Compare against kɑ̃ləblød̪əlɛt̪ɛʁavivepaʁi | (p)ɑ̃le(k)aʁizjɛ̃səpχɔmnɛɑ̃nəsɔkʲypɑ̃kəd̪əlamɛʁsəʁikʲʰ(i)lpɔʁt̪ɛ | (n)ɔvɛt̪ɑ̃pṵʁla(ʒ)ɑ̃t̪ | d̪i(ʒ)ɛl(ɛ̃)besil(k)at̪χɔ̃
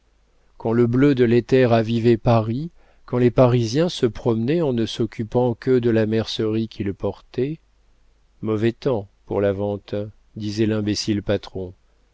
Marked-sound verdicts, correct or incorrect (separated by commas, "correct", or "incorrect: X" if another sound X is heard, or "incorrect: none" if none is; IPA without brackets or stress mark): incorrect: k, incorrect: p, correct, incorrect: m, incorrect: v, incorrect: z, correct, incorrect: p